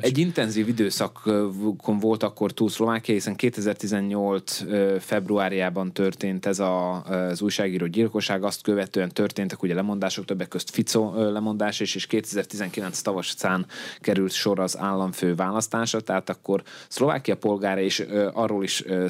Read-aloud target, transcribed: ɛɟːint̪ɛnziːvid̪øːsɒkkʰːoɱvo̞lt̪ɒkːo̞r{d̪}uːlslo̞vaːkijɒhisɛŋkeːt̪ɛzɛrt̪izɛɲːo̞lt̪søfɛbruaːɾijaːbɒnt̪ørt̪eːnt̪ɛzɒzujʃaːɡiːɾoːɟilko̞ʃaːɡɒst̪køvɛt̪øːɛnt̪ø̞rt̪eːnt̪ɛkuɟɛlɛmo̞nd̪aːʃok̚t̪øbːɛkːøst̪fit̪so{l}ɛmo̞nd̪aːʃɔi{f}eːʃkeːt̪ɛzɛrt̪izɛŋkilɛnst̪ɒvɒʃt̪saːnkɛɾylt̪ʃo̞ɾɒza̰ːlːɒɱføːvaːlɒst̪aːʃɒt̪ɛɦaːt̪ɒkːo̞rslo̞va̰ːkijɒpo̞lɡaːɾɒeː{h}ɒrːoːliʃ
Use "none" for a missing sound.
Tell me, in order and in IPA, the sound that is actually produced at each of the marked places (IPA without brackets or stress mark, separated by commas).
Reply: t̪, l, ʃ, ʃ